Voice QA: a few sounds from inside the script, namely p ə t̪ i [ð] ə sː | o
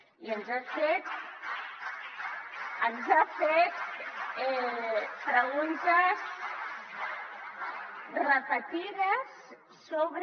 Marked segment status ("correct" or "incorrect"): correct